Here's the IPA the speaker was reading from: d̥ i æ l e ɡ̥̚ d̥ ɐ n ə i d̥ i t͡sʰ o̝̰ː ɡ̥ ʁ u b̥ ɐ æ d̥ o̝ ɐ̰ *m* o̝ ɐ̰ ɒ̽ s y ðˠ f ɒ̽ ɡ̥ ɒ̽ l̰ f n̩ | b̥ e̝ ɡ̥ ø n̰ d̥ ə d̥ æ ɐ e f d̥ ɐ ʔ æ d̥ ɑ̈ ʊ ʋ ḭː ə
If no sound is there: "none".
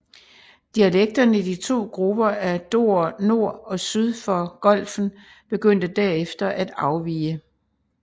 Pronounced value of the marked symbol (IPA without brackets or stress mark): n